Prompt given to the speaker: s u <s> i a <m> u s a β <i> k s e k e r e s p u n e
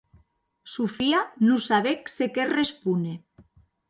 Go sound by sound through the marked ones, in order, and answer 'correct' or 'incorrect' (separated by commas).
incorrect, incorrect, incorrect